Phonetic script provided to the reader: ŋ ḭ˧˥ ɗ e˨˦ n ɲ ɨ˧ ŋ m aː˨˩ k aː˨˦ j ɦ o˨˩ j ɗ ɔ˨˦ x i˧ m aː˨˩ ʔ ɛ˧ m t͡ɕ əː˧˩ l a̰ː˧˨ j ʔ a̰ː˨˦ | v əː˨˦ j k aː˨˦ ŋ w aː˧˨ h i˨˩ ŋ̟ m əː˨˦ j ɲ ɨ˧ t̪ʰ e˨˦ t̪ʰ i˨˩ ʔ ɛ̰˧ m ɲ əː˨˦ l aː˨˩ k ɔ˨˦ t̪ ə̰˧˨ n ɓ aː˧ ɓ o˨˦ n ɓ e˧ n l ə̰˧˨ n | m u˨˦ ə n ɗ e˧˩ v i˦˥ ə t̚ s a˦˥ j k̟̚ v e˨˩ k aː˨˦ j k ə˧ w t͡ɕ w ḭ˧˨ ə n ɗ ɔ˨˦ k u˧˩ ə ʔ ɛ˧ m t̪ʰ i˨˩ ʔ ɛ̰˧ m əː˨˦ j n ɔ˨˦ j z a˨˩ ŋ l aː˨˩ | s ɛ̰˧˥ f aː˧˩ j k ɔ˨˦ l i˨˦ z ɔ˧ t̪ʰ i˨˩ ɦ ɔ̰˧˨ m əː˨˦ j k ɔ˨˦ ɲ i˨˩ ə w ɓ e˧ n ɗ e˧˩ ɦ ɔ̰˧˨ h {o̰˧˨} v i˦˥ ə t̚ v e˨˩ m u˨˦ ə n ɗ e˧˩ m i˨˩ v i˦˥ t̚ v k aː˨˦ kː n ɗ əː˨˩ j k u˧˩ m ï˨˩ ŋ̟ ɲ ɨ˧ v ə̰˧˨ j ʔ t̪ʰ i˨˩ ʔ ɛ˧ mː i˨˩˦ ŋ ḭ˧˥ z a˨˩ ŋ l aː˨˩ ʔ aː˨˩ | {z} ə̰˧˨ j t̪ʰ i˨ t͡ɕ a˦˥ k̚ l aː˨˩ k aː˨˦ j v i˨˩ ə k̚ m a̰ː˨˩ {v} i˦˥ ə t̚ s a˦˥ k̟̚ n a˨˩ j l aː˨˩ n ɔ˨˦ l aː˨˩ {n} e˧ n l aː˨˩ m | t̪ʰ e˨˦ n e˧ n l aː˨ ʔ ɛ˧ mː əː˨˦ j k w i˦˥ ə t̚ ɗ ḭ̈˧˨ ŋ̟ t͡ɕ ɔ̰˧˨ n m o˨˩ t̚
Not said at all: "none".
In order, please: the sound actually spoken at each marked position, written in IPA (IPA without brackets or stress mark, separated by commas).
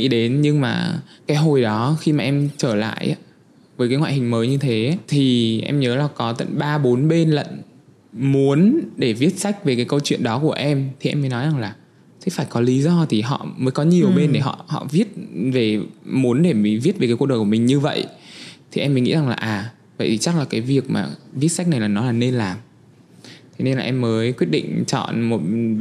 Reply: ɔ̰˧˨, v, v, n